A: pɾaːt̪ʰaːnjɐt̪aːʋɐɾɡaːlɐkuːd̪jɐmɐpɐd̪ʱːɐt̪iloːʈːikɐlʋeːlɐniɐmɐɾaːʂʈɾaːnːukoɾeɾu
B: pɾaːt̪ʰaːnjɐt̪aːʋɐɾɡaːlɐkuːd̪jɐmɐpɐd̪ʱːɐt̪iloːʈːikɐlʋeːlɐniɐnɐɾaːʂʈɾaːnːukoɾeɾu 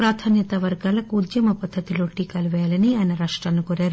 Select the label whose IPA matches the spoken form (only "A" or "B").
B